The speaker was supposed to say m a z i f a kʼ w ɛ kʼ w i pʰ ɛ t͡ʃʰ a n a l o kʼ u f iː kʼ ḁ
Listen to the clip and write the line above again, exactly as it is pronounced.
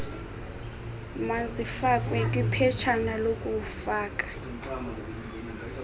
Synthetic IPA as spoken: m a z i f a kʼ w ɛ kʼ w i pʰ ɛ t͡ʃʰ a n a l o kʼ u f aː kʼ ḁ